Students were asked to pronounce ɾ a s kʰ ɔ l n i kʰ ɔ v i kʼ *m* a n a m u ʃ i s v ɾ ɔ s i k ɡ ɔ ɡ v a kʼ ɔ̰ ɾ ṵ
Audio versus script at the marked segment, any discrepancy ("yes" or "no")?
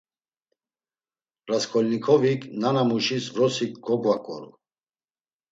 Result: yes